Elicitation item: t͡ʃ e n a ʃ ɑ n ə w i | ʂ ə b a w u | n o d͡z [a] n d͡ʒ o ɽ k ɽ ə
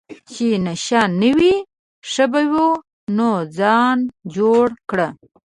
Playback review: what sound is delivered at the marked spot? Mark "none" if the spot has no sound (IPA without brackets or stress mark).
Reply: ɑ